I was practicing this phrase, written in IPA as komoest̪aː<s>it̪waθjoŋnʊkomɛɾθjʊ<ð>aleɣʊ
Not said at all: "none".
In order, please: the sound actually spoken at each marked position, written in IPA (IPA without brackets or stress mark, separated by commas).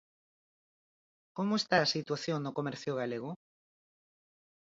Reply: s, ɣ